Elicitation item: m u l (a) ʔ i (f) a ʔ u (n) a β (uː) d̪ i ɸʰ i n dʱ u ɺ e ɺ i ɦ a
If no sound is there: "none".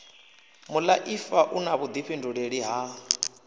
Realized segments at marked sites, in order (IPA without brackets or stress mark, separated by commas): a, f, n, u